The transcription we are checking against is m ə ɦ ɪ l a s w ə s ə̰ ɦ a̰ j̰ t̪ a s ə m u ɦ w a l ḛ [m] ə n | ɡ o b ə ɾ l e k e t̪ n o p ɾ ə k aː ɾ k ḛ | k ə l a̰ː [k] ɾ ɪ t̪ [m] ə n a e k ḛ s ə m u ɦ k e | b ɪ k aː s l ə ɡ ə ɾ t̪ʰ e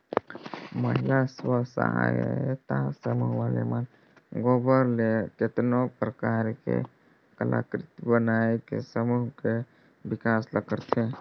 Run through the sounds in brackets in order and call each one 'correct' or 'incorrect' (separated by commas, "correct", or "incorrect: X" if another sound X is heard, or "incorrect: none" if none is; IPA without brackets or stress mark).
correct, correct, incorrect: b